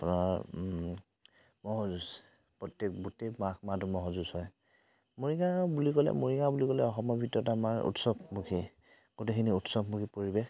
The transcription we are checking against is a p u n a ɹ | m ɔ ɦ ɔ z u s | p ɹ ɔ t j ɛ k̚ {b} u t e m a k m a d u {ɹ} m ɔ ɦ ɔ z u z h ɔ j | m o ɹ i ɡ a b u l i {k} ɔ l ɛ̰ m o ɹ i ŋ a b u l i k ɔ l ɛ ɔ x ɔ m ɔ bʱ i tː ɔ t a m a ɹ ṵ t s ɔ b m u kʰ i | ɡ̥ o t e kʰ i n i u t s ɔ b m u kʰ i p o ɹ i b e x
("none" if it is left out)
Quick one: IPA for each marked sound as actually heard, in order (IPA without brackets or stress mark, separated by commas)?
b, none, k